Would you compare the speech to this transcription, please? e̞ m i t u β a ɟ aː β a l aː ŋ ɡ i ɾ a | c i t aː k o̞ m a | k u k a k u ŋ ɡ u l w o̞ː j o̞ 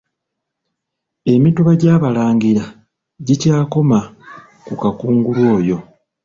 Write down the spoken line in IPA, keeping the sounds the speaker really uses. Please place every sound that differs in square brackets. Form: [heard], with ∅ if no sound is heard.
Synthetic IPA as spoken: e̞ m i t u β a ɟ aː β a l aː ŋ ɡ i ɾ a | [ɟ] i [c] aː k o̞ m a | k u k a k [uː] ŋ ɡ u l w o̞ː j o̞

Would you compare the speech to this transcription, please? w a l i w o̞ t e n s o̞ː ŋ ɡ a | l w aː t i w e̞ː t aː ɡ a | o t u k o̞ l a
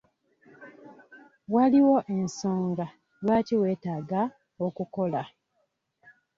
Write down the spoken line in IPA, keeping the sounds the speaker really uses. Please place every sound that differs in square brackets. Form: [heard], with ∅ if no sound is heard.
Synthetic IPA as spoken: w a l i w o̞ [ʔ] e n s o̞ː ŋ ɡ a | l w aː t i w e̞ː t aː ɡ a | o [k] u k o̞ l a

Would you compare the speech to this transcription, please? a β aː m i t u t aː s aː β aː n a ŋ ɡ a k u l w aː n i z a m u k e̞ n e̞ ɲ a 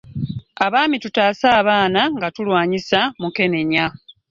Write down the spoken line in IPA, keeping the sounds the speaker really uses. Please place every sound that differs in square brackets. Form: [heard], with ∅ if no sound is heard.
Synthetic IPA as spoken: a β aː m i t u t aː s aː β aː n a ŋ ɡ a [t] u l w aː [ɲ] i [s] a m u k e̞ n e̞ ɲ a

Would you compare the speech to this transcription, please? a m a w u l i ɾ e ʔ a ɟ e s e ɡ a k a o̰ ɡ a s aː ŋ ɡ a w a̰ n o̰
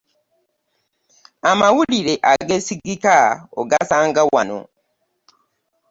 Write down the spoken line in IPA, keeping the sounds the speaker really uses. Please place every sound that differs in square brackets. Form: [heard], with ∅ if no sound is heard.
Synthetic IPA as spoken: a m a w u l i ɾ e ʔ a [ɡ] e s [i] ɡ [i] k a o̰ ɡ a s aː ŋ ɡ a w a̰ n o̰

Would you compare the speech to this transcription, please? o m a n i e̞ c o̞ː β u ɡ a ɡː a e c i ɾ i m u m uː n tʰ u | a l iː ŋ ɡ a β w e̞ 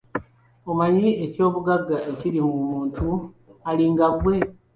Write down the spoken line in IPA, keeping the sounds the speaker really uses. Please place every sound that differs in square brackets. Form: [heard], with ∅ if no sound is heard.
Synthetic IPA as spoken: o m a [ɲ] i e̞ c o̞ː β u ɡ a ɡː a e c i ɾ i m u m uː n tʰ u | a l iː ŋ ɡ a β w e̞

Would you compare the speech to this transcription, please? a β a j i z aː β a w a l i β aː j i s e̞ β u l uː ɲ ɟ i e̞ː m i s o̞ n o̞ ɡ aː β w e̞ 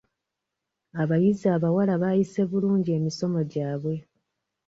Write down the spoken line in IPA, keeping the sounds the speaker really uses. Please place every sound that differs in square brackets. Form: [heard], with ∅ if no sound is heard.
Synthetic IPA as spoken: a β a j i z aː β a w a l [a] β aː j i s e̞ β u l uː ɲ ɟ i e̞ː m i s o̞ [m] o̞ [ɟ] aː β w e̞

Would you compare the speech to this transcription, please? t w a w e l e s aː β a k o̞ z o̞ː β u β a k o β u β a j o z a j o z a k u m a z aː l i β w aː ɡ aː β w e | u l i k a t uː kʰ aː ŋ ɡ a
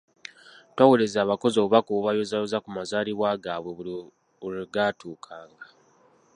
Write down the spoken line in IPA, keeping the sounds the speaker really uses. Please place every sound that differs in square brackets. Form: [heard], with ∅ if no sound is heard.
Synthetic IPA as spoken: t w a w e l e [z] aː β a k o̞ z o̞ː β u β a k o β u β a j o z a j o z a k u m a z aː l i β w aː ɡ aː β w e | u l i [ɡ] a t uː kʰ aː ŋ ɡ a

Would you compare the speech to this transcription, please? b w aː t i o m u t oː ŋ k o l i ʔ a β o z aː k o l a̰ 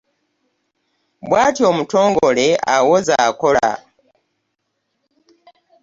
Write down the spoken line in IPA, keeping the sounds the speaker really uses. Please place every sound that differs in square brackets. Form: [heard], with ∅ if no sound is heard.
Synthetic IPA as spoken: b w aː t i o m u t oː ŋ [ɡ] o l [e] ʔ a [w] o z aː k o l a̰

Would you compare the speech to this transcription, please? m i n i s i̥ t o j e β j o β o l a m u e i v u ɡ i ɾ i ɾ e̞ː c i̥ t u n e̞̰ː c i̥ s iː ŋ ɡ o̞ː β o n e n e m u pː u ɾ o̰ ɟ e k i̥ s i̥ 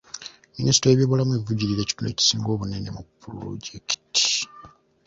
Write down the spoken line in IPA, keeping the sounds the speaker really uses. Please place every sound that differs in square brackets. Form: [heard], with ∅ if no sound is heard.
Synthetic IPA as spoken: m i n i s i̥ t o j e β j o β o l a m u e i v u [ɟ] i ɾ i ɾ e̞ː c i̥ t u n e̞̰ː c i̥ s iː ŋ ɡ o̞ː β [u] n e n e m u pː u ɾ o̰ ɟ e k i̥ [t] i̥

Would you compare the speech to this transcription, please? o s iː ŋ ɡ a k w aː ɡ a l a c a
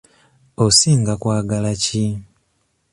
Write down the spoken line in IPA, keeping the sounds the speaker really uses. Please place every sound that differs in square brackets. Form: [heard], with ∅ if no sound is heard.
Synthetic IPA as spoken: o s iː ŋ ɡ a k w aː ɡ a l a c [i]

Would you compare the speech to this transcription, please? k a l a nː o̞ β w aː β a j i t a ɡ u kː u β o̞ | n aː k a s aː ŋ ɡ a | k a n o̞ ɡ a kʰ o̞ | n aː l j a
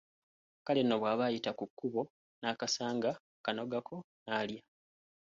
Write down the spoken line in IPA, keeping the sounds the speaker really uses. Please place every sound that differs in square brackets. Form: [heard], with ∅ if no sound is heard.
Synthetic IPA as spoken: k a l [e] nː o̞ β w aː β a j i t a [k] u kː u β o̞ | n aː k a s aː ŋ ɡ a | k a n o̞ ɡ a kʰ o̞ | n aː l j a

